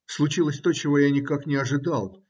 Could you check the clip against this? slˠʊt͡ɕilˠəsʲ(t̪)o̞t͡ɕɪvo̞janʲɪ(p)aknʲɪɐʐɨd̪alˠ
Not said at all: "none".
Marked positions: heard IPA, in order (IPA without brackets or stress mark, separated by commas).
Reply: t̪, k